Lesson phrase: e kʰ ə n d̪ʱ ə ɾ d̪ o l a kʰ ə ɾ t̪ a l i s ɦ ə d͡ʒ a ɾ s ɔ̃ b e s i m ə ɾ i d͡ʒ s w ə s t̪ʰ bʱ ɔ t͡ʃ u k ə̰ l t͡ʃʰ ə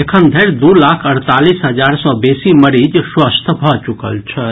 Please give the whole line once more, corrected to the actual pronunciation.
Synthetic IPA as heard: e kʰ ə n d̪ʱ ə ɾ d̪ u l a kʰ ə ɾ t̪ a l i s ɦ ə d͡ʒ a ɾ s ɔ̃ b e s i m ə ɾ i d͡ʒ s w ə s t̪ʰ bʱ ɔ t͡ʃ u k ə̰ l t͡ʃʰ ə

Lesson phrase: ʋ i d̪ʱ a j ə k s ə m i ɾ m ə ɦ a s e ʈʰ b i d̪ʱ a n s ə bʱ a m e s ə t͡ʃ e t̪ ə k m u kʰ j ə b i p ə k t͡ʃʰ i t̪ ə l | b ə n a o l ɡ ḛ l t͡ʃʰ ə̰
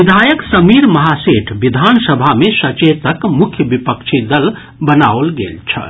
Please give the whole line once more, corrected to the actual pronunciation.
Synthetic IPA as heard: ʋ i d̪ʱ a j ə k s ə m i ɾ m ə ɦ a s e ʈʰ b i d̪ʱ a n s ə bʱ a m e s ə t͡ʃ e t̪ ə k m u kʰ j ə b i p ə k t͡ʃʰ i d̪ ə l | b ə n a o l ɡ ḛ l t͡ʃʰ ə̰

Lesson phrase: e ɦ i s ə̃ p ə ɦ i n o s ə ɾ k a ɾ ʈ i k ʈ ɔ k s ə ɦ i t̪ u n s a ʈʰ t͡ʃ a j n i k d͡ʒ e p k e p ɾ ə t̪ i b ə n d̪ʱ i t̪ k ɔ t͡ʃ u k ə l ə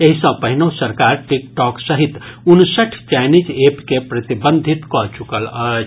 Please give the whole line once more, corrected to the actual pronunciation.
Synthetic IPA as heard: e ɦ i s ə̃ p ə ɦ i n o s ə ɾ k a ɾ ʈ i k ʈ ɔ k s ə ɦ i t̪ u n s ə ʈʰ t͡ʃ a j n i d͡ʒ e p k e p ɾ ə t̪ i b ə n d̪ʱ i t̪ k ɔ t͡ʃ u k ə l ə

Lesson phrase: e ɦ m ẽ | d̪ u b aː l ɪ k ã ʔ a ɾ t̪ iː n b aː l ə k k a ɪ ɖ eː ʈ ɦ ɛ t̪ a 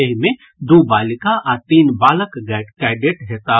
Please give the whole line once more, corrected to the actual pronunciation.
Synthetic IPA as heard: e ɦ m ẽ | d̪ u b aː l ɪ k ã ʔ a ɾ t̪ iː n b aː l ə k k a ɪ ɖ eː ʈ ɦ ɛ t̪ a

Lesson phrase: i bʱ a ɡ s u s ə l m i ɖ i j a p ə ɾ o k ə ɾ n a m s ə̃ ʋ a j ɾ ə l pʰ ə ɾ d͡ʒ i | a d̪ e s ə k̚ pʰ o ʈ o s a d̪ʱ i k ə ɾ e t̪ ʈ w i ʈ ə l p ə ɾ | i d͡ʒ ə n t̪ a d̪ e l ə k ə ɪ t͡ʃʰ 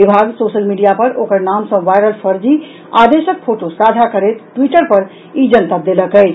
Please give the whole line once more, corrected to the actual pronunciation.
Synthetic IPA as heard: i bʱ a ɡ s o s ə l m i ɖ i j a p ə ɾ o k ə ɾ n a m s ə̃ ʋ a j ɾ ə l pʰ ə ɾ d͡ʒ i | a d̪ e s ə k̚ pʰ o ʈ o s a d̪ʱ a k ə ɾ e t̪ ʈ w i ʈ ə ɾ p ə ɾ | i d͡ʒ ə n t̪ a d̪ e l ə k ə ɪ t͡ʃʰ

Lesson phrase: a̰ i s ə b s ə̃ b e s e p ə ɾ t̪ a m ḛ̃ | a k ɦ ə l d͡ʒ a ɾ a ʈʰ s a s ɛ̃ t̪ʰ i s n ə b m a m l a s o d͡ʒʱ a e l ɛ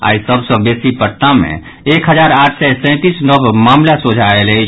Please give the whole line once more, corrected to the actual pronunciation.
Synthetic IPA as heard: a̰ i s ə b s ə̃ b e s i p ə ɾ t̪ a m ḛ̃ | e k ɦ ə d͡ʒ a ɾ a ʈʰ s ɛ s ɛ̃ t̪ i s n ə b m a m l a s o d͡ʒʱ a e l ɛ

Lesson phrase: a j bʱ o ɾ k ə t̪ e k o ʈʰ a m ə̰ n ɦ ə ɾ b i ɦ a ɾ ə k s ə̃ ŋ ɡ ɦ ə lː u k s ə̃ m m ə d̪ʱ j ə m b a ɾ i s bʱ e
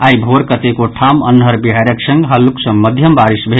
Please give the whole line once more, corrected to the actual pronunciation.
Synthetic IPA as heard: a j bʱ o ɾ k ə t̪ e k o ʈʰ a m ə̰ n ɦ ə ɾ b i ɦ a ɾ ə k s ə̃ ŋ ɡ ɦ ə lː u k s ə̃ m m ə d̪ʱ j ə m b a ɾ i s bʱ e

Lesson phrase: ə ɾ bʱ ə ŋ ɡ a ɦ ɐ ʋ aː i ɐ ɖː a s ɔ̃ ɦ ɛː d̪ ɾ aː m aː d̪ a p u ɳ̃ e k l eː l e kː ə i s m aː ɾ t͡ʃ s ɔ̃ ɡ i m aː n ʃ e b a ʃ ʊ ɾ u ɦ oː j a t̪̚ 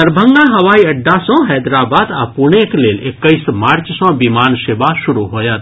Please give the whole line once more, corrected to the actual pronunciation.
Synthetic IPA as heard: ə ɾ bʱ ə ŋ ɡ a ɦ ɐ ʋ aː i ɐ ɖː a s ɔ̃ ɦ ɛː d̪ ɾ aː b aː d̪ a p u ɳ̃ e k l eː l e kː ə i s m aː ɾ t͡ʃ s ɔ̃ b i m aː n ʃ e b a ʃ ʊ ɾ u ɦ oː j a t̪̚

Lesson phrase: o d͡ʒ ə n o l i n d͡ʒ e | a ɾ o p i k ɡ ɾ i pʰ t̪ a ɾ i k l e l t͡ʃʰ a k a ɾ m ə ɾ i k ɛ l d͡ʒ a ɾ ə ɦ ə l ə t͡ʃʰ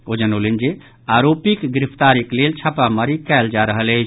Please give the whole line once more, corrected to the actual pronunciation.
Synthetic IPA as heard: o d͡ʒ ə n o l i n d͡ʒ e | a ɾ o p i k ɡ ɾ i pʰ t̪ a ɾ i k l e l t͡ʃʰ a p a m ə ɾ i k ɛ l d͡ʒ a ɾ ə ɦ ə l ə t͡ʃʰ

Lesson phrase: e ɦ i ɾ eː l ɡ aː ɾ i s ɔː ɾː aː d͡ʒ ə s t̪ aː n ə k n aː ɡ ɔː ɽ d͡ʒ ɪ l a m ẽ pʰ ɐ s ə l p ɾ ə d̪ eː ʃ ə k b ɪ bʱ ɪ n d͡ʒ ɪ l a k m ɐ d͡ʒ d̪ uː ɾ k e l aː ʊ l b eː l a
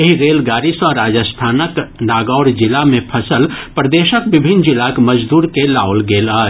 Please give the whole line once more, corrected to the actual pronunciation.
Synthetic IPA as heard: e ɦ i ɾ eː l ɡ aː ɾ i s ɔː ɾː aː d͡ʒ ə s t̪ʰ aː n ə k n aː ɡ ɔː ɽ d͡ʒ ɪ l a m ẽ pʰ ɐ s ə l p ɾ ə d̪ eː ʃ ə k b ɪ bʱ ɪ n d͡ʒ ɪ l a k m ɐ d͡ʒ d̪ uː ɾ k e l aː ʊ l ɡ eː l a

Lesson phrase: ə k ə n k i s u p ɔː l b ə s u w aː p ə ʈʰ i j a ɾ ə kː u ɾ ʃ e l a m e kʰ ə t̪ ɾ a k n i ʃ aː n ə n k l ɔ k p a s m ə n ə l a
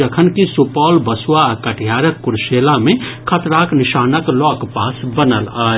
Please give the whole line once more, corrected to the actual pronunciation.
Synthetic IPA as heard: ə kʰ ə n k i s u p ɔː l b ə s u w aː k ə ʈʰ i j a ɾ ə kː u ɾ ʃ e l a m e kʰ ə t̪ ɾ a k n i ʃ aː n ə k l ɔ k p a s b ə n ə l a

